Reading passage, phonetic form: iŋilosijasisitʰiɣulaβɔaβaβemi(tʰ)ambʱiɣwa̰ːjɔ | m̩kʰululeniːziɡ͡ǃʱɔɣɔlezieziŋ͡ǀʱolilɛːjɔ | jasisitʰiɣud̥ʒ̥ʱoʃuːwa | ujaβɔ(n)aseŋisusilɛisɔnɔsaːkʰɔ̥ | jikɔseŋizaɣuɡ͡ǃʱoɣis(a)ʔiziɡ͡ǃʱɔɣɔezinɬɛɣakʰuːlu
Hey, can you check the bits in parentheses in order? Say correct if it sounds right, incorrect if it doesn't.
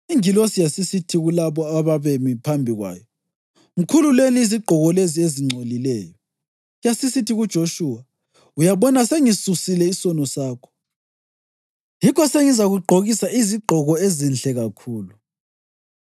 incorrect: pʰ, correct, correct

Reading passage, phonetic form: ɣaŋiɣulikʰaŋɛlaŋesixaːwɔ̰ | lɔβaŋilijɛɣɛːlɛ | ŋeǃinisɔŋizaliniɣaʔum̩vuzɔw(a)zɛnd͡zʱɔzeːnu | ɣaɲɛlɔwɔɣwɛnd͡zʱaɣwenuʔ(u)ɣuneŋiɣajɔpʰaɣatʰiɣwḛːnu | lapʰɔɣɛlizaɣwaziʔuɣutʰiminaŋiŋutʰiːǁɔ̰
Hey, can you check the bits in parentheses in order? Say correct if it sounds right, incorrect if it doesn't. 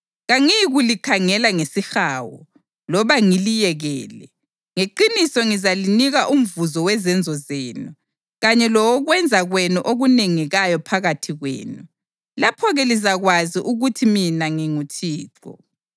incorrect: ɛ, incorrect: o

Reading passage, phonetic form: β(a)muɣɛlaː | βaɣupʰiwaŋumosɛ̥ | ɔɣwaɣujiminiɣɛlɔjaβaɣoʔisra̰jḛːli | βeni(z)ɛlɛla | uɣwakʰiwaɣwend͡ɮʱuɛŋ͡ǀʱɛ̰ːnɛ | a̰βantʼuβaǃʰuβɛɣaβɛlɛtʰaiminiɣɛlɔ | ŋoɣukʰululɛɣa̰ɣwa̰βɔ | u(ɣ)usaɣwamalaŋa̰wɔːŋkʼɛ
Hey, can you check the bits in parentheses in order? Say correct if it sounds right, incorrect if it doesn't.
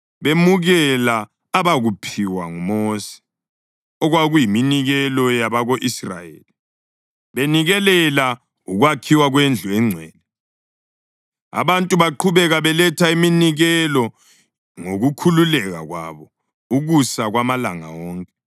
incorrect: e, incorrect: ɣ, correct

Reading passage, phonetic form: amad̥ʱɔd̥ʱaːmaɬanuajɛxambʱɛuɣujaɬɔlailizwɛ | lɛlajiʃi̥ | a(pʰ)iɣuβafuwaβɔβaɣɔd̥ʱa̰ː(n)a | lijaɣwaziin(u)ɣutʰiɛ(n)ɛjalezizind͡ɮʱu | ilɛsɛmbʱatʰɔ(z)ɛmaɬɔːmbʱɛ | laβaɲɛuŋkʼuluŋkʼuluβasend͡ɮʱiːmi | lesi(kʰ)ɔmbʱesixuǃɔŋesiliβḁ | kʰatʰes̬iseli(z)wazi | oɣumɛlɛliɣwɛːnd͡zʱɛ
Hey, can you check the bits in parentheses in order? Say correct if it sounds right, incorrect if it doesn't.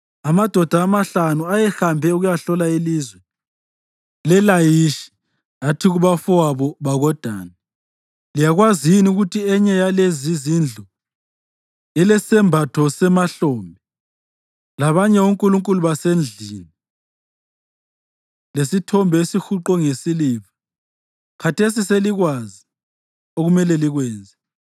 incorrect: tʰ, correct, correct, incorrect: ɲ, incorrect: s, incorrect: tʰ, incorrect: ɣ

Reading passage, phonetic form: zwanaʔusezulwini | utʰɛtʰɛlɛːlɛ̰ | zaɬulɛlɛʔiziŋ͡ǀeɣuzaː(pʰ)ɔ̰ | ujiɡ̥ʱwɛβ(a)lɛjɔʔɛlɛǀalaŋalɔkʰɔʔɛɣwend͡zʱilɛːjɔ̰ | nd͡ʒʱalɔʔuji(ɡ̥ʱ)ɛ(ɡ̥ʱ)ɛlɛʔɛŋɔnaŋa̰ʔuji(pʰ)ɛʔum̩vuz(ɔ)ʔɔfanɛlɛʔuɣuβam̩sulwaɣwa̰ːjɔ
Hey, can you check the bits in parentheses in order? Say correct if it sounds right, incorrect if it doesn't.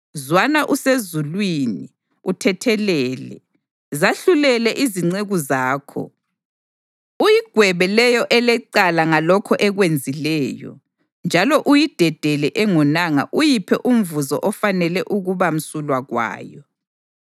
incorrect: kʰ, incorrect: ɛ, incorrect: d̥ʱ, incorrect: d̥ʱ, correct, correct

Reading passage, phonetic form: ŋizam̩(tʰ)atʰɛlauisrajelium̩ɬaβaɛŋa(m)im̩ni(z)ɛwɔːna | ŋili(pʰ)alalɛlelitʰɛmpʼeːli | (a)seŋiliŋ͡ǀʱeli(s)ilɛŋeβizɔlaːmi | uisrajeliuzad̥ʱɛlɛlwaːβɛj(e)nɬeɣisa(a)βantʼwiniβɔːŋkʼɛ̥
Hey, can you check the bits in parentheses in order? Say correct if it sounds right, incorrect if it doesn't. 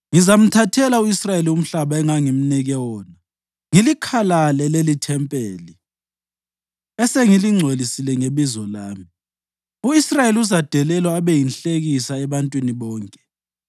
correct, incorrect: ŋ, incorrect: ɣ, incorrect: kʰ, incorrect: ɛ, correct, incorrect: i, incorrect: ɛ

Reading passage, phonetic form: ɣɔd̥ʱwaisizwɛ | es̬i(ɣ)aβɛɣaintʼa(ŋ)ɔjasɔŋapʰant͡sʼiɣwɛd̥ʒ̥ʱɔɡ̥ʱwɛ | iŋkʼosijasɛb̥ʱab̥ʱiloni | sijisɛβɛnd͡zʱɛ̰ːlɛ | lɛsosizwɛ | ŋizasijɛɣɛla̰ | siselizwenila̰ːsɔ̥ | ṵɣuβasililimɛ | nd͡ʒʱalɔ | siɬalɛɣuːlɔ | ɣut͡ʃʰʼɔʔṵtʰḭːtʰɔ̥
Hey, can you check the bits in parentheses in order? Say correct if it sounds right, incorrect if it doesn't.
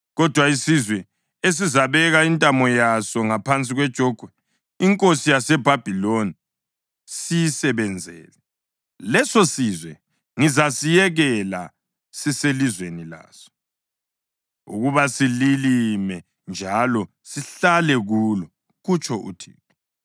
incorrect: z, incorrect: m

